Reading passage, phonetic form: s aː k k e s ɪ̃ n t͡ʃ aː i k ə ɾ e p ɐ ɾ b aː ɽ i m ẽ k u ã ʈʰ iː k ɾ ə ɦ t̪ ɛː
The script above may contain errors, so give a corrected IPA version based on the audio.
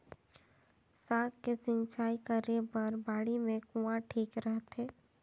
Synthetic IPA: s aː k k e s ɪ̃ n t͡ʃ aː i k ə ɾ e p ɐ ɾ b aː ɽ i m ẽ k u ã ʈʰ iː k ɾ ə ɦ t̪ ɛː